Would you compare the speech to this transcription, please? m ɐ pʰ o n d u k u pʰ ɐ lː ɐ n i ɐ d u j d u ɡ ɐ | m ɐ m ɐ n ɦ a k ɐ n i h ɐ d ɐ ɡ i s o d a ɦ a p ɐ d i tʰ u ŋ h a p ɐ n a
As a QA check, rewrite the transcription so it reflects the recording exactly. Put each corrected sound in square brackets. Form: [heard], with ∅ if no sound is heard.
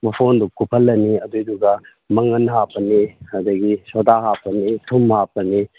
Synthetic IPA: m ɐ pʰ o n d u k u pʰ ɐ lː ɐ n i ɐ d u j d u ɡ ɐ | m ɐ [ŋ] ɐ n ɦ a [p] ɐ n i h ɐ d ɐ ɡ i s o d a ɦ a p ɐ [n] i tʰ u [m] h a p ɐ n [i]